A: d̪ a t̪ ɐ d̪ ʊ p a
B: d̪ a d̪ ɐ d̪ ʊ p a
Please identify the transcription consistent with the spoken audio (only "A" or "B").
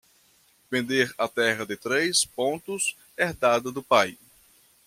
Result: B